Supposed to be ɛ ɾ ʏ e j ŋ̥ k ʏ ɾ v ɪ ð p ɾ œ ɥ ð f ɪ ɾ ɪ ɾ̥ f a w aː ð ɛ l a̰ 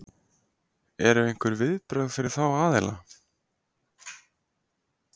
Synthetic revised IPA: ɛ ɾ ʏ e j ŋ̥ k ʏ ɾ v ɪ ð p ɾ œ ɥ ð f ɪ ɾ ɪ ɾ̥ θ a w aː ð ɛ l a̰